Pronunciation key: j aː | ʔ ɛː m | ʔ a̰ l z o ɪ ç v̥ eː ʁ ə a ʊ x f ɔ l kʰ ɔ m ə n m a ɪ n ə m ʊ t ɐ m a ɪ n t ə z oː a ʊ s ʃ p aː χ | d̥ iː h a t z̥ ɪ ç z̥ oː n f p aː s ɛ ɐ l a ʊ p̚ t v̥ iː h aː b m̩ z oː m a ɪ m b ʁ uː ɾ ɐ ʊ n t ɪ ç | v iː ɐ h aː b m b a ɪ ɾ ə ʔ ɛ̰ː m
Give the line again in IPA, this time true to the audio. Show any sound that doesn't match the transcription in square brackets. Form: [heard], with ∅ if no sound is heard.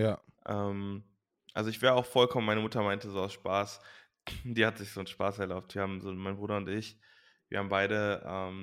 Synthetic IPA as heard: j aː | ʔ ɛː m | ʔ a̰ l z o ɪ ç v̥ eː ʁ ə a ʊ x f ɔ l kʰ ɔ m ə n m a ɪ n ə m ʊ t ɐ m a ɪ n t ə z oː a ʊ s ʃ p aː [s] | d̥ iː h a t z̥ ɪ ç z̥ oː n [ʃ] p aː s ɛ ɐ l a ʊ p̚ t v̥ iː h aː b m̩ z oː m a ɪ [n] b ʁ uː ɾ ɐ ʊ n t ɪ ç | v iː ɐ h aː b m b a ɪ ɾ ə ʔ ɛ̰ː m